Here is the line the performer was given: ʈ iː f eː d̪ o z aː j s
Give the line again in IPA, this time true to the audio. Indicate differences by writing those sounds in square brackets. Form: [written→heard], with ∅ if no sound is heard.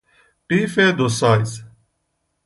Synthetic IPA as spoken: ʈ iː f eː d̪ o [z→s] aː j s